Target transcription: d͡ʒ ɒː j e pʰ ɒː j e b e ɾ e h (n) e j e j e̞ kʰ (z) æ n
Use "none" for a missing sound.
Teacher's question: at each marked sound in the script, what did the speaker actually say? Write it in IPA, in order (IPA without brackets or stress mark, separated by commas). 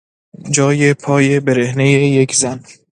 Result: n, z